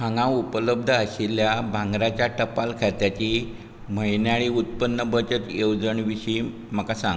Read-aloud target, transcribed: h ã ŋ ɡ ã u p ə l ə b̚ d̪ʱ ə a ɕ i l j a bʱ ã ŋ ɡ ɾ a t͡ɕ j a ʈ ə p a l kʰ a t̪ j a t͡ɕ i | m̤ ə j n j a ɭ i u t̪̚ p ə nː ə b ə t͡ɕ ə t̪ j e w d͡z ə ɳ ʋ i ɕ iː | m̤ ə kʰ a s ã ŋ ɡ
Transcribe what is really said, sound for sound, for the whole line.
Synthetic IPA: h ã ŋ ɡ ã u p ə l ə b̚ d̪ʱ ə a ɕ i l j a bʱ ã ŋ ɡ ɾ a t͡ɕ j a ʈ ə p a l kʰ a t̪ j a t͡ɕ i | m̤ ə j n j a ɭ i u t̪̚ p ə nː ə b ə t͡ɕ ə t̪ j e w d͡z ə ɳ ʋ i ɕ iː | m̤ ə k a s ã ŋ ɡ